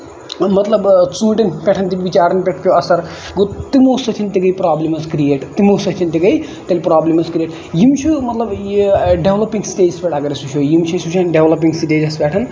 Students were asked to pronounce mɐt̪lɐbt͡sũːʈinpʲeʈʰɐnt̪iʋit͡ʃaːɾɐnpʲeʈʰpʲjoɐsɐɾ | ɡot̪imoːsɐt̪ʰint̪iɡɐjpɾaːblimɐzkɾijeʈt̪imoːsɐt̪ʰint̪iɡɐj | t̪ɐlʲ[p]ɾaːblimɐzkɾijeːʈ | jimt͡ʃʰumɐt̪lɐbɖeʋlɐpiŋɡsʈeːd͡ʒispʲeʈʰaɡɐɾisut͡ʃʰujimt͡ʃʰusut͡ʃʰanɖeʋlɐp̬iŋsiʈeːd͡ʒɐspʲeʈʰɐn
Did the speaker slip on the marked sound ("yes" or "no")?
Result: no